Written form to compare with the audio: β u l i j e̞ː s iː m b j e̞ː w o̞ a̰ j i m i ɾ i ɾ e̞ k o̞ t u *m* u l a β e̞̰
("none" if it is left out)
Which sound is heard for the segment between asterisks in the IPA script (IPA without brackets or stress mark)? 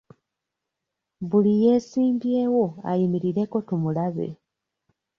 m